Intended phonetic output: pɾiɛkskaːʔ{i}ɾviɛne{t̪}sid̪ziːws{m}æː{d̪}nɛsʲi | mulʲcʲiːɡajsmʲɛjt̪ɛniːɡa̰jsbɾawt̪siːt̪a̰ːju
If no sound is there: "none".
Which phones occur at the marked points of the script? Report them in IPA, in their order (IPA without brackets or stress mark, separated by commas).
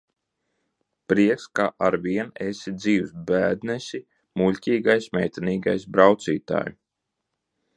a, none, b, d̪